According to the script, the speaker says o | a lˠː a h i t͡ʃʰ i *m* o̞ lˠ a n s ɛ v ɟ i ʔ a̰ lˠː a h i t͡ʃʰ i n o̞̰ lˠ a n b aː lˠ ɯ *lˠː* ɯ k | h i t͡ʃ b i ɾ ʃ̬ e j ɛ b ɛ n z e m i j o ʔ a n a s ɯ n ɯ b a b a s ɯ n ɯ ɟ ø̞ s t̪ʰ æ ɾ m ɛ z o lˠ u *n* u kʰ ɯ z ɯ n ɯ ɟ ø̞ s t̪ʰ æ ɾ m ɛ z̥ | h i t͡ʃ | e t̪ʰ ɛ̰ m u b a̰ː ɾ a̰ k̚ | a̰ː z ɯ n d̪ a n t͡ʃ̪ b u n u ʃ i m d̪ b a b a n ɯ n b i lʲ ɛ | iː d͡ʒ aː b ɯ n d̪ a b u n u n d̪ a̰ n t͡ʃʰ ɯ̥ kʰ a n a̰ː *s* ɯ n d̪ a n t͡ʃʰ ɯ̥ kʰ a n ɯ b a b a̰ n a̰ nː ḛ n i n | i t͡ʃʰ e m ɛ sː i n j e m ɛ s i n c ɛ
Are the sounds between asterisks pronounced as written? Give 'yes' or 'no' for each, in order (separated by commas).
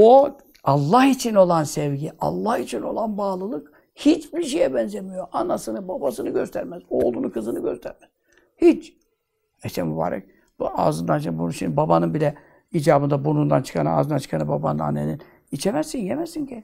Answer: no, no, yes, no